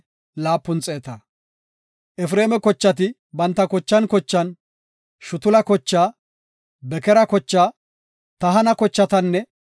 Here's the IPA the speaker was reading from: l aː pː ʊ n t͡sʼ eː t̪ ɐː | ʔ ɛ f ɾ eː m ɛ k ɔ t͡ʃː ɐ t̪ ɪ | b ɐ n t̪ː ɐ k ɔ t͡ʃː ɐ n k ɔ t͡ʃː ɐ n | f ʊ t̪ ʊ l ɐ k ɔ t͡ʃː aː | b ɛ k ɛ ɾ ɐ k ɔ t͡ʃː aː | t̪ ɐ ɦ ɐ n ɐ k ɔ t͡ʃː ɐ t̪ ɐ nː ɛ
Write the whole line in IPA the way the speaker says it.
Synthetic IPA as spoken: l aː pː ʊ n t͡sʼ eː t̪ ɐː | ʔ ɛ f ɾ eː m ɛ k ɔ t͡ʃː ɐ t̪ ɪ | b ɐ n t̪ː ɐ k ɔ t͡ʃː ɐ n k ɔ t͡ʃː ɐ n | ʃ ʊ t̪ ʊ l ɐ k ɔ t͡ʃː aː | b ɛ k ɛ ɾ ɐ k ɔ t͡ʃː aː | t̪ ɐ ɦ ɐ n ɐ k ɔ t͡ʃː ɐ t̪ ɐ nː ɛ